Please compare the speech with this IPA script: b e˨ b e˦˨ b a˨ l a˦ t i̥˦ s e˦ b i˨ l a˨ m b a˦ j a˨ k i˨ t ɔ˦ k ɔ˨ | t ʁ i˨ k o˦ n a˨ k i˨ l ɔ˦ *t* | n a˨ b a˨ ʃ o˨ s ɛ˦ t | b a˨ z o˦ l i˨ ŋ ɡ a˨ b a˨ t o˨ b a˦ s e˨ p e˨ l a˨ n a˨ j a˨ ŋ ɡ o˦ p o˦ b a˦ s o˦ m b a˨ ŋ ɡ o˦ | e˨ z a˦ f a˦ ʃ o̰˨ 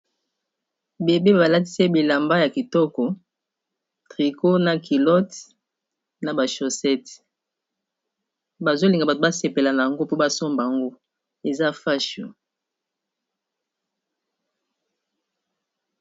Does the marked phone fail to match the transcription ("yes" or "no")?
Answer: no